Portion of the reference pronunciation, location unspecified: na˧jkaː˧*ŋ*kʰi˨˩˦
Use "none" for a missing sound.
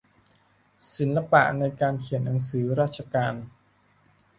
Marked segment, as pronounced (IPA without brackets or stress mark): n